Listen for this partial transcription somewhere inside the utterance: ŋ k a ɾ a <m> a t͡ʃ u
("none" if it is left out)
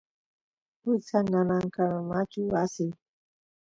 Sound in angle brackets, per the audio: m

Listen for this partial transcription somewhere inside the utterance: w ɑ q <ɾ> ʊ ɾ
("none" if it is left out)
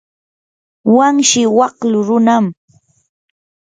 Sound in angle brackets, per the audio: l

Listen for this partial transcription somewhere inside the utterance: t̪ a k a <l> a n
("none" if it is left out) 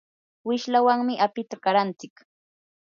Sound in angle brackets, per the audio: ɾ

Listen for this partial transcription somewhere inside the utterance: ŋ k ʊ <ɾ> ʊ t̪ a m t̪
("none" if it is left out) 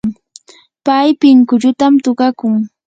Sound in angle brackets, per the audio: ʎ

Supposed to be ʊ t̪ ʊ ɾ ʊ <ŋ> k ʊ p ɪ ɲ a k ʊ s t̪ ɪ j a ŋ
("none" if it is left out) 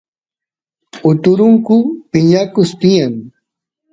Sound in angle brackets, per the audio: ŋ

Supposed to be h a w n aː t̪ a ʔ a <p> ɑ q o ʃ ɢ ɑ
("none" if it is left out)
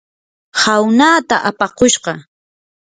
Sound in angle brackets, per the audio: p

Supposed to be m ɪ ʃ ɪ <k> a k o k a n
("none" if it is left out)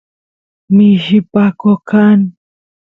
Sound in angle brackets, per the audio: p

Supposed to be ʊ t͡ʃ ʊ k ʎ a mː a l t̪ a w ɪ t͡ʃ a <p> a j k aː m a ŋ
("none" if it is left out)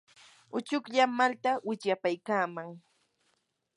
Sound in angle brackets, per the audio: p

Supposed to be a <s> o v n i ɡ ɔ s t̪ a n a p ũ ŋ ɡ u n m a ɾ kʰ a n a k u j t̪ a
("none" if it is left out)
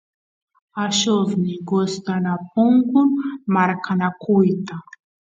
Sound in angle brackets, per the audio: ʃ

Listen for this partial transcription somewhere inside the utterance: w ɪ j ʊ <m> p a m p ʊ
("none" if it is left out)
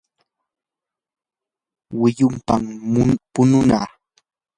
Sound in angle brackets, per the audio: m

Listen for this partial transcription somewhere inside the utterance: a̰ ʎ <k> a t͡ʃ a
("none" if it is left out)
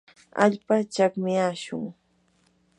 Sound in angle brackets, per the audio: p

